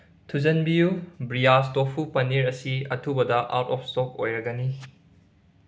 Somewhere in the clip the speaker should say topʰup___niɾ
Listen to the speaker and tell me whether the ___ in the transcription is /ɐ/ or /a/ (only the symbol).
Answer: ɐ